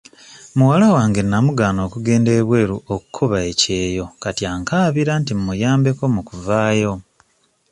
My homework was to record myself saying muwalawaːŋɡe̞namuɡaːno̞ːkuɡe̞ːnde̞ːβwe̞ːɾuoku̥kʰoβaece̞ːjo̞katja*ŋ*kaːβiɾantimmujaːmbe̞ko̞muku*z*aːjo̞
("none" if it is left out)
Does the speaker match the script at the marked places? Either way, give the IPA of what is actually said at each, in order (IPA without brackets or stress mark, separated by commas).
ŋ, v